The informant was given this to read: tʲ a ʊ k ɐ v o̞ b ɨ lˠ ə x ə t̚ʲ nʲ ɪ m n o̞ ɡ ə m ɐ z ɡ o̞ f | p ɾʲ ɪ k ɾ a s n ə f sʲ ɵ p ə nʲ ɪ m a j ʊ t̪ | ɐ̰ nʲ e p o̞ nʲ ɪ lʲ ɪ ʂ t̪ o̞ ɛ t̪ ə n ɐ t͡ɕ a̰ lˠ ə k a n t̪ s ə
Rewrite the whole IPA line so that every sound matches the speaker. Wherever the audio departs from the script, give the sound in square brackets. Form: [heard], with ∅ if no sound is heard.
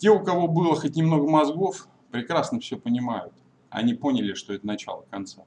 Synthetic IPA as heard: tʲ [e] ʊ k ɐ v o̞ b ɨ lˠ ə x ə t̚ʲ nʲ ɪ m n o̞ ɡ ə m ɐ z ɡ o̞ f | p ɾʲ ɪ k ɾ a s n ə f sʲ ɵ p ə nʲ ɪ m a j ʊ t̪ | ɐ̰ nʲ [i] p o̞ nʲ ɪ lʲ ɪ ʂ t̪ o̞ ɛ t̪ ə n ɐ t͡ɕ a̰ lˠ ə k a n t̪ s [a]